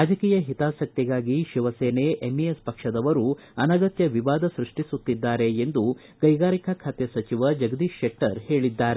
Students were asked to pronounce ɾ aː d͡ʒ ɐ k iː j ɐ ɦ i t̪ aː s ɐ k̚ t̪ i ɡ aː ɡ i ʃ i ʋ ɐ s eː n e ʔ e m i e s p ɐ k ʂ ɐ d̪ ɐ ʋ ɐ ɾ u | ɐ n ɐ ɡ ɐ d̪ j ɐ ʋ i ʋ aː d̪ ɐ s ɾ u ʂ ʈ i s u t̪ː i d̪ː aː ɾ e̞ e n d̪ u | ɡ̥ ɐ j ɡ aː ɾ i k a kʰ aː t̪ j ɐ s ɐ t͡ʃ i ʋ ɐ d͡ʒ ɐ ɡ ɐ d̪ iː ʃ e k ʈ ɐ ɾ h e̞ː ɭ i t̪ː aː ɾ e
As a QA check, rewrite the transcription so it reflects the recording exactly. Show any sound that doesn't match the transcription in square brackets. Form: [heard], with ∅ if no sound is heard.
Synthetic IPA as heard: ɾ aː d͡ʒ ɐ k iː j ɐ ɦ i t̪ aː s ɐ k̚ t̪ i ɡ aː ɡ i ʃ i ʋ ɐ s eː n e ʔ e m i e s p ɐ k ʂ ɐ d̪ ɐ ʋ ɐ ɾ u | ɐ n ɐ ɡ ɐ [t̪] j ɐ ʋ i ʋ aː d̪ ɐ s ɾ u ʂ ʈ i s u t̪ː i d̪ː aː ɾ e̞ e n d̪ u | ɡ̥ ɐ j ɡ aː ɾ i k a kʰ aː t̪ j ɐ s ɐ t͡ʃ i ʋ ɐ d͡ʒ ɐ ɡ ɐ d̪ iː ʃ e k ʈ ɐ ɾ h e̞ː ɭ i [d̪ː] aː ɾ e